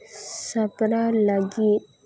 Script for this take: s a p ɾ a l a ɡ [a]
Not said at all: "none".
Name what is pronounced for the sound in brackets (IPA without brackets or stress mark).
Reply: i